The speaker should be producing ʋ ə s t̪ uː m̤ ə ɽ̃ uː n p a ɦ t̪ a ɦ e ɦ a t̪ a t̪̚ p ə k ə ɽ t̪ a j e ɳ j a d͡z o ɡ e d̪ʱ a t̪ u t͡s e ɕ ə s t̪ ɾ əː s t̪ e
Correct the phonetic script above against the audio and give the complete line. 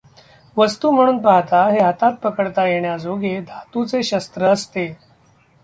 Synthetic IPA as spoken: ʋ ə s t̪ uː m̤ ə ɽ̃ uː n p a ɦ t̪ a ɦ e ɦ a t̪ a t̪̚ p ə k ə ɽ t̪ a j e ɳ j a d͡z o ɡ e d̪ʱ a t̪ u t͡s e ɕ ə s t̪ ɾ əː s t̪ e